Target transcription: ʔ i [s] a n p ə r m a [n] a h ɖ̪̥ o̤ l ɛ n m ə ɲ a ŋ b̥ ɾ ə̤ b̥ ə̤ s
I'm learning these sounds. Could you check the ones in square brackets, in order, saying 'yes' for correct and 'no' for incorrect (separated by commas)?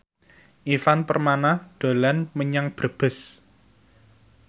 no, yes